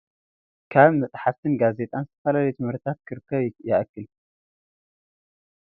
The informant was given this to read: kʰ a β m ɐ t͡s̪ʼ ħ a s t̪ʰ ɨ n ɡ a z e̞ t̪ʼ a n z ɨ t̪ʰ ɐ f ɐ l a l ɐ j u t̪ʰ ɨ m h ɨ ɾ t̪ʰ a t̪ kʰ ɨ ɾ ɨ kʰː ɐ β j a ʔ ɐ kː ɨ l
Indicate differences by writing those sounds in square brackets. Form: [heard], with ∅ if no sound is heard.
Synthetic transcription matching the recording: kʰ a β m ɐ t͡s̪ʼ ħ a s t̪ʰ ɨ n ɡ a z e̞ t̪ʼ a n z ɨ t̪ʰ ɐ f ɐ l a l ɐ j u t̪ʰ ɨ m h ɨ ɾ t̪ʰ a t̪ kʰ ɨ ɾ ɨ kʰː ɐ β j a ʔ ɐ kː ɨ l